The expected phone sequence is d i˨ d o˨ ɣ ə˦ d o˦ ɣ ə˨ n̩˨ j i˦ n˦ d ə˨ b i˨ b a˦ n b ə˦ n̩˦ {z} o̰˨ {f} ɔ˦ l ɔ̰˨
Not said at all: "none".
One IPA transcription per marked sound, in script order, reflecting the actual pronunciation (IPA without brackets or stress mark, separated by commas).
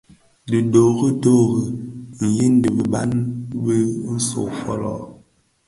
s, f